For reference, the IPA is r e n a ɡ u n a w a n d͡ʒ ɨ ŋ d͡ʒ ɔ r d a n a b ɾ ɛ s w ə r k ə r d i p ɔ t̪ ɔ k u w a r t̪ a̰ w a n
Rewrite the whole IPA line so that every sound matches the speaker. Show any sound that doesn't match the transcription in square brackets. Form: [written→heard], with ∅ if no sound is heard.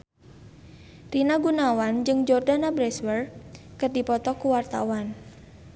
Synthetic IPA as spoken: r [e→i] n a ɡ u n a w a n d͡ʒ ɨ ŋ d͡ʒ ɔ r d a n a b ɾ ɛ s w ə r k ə r d i p ɔ t̪ ɔ k u w a r t̪ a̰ w a n